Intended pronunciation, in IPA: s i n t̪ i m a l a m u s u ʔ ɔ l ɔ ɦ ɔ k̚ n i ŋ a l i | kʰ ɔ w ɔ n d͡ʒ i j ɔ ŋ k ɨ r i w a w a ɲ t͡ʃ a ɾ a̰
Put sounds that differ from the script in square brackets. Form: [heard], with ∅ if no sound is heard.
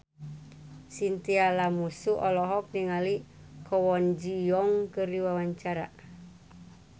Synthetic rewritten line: s i n t̪ i [∅] a l a m u s u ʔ ɔ l ɔ ɦ ɔ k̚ n i ŋ a l i | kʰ ɔ w ɔ n d͡ʒ i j ɔ ŋ k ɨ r i w a w a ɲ t͡ʃ a ɾ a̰